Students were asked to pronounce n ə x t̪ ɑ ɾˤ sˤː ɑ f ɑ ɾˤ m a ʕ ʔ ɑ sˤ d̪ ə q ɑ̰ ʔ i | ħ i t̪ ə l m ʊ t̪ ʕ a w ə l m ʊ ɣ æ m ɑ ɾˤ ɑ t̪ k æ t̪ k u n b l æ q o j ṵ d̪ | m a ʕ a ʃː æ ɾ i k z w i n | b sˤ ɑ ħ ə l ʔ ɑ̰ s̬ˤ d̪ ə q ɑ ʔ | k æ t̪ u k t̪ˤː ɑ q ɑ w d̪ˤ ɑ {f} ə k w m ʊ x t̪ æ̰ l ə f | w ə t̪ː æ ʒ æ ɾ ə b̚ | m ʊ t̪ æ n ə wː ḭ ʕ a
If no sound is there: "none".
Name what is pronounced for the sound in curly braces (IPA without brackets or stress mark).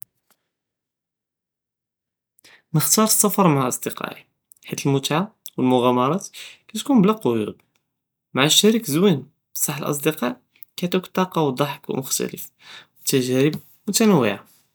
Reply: ħ